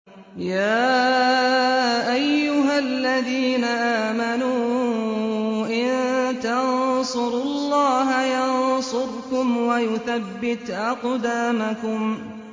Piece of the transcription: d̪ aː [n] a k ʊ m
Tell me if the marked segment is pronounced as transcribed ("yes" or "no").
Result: no